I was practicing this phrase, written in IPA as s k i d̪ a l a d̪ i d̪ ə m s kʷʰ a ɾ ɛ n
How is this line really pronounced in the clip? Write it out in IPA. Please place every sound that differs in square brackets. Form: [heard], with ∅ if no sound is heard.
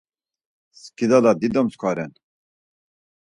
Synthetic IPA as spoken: s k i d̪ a l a d̪ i d̪ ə m s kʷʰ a ɾ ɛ n